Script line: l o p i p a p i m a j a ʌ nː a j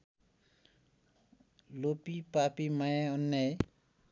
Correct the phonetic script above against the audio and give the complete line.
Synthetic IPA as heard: l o p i p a p i m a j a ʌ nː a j